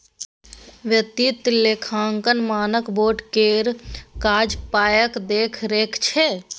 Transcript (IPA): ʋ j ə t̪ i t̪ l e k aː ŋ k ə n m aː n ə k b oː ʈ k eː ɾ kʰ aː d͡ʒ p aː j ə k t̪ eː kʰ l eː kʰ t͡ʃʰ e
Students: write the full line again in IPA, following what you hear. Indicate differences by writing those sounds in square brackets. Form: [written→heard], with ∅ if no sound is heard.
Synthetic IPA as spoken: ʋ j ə t̪ i t̪ l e [k→kʰ] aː ŋ k ə n m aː n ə k b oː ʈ k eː ɾ [kʰ→k] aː d͡ʒ p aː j ə k [t̪→d̪] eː kʰ [l→ɾ] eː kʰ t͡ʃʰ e